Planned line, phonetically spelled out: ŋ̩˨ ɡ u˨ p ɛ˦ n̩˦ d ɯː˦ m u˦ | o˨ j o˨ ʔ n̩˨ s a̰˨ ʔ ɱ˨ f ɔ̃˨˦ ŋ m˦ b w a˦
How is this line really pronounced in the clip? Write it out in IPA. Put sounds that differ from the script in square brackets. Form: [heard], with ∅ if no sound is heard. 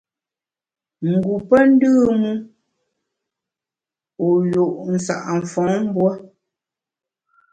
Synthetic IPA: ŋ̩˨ ɡ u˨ p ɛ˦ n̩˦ d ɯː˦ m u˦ | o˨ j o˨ ʔ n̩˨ s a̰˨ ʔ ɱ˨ f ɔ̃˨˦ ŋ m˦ b w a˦